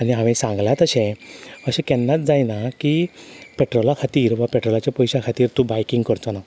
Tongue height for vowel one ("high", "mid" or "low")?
low